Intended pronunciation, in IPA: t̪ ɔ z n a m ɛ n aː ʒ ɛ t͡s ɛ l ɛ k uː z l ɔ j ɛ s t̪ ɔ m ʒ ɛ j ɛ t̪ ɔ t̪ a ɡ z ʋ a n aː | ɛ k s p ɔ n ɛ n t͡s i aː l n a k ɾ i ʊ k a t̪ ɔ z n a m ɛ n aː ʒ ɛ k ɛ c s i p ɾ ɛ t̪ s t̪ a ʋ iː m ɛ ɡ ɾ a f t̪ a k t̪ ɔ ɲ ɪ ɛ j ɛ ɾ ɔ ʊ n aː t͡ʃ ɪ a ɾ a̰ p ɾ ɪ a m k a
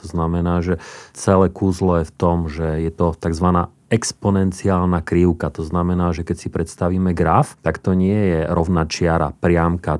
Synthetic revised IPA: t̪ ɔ z n a m ɛ n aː ʒ ɛ t͡s ɛ l ɛ k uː z l ɔ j ɛ f t̪ ɔ m ʒ ɛ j ɛ t̪ ɔ t̪ a ɡ z ʋ a n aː | ɛ k s p ɔ n ɛ n t͡s i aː l n a k ɾ i ʊ k a t̪ ɔ z n a m ɛ n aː ʒ ɛ k ɛ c s i p ɾ ɛ t̪ s t̪ a ʋ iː m ɛ ɡ ɾ a f t̪ a k t̪ ɔ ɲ ɪ ɛ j ɛ ɾ ɔ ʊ n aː t͡ʃ ɪ a ɾ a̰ p ɾ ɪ a m k a